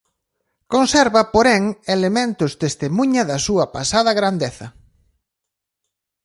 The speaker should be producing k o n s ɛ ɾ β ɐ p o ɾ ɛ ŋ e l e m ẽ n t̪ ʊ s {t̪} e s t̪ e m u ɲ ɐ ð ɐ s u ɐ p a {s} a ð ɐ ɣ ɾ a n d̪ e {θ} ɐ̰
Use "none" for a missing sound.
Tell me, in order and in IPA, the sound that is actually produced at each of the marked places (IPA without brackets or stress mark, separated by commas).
t̪, s, θ